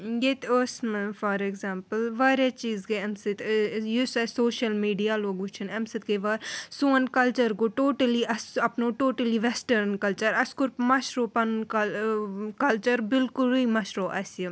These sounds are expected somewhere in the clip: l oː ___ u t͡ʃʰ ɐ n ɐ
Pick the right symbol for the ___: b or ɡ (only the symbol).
ɡ